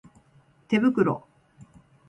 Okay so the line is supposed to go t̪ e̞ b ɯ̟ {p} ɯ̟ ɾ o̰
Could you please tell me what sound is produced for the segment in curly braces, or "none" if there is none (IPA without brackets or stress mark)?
k